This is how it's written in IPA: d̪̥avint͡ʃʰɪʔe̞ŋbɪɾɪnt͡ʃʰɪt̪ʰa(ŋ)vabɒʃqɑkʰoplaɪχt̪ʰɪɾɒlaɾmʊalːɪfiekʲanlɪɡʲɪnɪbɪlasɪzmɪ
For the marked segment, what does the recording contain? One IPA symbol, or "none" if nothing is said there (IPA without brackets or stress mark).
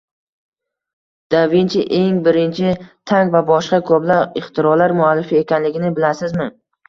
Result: ŋ